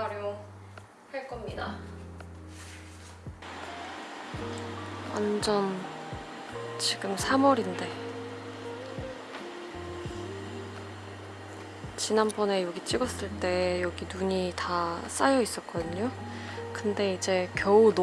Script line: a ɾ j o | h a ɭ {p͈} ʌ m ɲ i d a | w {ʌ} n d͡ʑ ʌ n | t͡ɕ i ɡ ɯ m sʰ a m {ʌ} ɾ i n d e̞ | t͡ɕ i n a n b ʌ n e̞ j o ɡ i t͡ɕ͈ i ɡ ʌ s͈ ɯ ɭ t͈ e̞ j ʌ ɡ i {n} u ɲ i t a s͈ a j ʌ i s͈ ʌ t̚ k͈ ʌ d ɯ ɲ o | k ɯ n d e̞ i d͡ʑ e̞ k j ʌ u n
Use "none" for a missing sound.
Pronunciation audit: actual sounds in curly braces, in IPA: k͈, a, ʌ, n

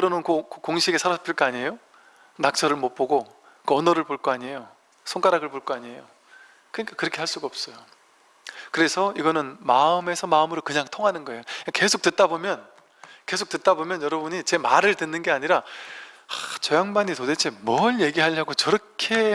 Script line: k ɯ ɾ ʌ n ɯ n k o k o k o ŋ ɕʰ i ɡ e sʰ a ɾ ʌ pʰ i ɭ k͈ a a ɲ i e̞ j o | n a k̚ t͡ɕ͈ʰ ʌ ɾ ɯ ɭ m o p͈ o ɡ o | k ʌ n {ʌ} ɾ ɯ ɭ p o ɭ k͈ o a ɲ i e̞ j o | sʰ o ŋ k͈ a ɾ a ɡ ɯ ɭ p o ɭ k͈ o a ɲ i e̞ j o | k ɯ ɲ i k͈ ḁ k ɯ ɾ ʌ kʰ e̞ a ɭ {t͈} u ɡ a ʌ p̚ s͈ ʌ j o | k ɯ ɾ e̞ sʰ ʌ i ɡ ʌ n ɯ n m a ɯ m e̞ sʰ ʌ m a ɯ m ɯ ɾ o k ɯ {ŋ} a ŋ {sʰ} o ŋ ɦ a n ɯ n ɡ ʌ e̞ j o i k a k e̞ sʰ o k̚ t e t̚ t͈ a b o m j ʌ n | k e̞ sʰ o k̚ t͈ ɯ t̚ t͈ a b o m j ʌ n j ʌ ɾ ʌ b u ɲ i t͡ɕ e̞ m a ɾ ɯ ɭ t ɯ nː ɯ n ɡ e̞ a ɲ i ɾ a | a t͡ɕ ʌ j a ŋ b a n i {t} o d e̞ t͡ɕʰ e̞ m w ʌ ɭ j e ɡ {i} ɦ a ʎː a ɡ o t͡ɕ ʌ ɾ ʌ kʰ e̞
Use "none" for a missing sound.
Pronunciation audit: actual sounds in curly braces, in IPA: ʌ, s͈, ɲ, tʰ, t, i

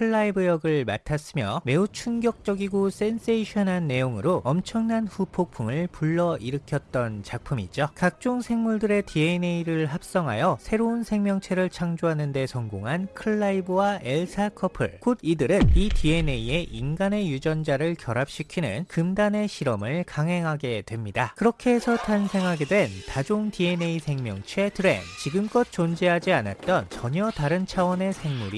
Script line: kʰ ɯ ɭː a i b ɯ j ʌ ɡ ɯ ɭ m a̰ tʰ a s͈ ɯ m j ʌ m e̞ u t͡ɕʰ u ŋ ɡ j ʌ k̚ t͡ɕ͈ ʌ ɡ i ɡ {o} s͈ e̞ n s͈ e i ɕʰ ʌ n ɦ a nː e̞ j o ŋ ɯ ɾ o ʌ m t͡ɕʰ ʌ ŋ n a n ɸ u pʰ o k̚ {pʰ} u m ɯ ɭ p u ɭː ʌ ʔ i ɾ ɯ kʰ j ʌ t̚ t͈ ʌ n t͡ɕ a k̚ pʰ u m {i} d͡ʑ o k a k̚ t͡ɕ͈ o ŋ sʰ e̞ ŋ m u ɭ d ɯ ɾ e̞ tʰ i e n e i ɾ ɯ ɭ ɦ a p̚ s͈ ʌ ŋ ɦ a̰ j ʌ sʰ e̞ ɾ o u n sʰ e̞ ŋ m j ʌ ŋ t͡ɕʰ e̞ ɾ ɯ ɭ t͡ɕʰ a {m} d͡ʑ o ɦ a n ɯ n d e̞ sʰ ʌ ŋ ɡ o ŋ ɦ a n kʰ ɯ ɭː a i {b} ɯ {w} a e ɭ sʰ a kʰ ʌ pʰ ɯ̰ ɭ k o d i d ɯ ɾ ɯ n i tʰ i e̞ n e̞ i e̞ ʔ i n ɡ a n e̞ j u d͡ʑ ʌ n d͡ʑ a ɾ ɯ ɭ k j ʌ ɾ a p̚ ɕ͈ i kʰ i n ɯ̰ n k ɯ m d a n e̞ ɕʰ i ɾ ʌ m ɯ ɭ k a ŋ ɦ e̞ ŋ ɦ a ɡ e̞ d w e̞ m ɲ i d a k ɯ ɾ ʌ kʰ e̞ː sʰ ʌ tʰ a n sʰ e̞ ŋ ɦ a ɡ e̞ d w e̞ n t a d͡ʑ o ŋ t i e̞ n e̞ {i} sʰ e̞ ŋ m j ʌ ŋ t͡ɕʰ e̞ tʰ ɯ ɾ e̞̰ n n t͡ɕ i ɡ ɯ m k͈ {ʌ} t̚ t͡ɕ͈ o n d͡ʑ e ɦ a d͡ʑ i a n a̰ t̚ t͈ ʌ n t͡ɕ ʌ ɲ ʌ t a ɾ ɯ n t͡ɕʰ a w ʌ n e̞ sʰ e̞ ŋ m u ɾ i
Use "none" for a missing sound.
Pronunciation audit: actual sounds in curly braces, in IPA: o, pʰ, i, ŋ, b, w, i, ʌ

